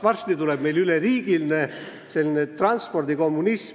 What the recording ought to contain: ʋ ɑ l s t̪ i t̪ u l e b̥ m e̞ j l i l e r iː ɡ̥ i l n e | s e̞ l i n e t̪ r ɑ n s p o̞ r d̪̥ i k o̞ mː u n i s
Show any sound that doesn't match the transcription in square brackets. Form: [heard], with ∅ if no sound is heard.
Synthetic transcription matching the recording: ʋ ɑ [r] s t̪ i t̪ u l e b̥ m e̞ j l [y] l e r iː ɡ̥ i l n e | s e̞ l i n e t̪ r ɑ n s p o̞ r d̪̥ i k o̞ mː u n i s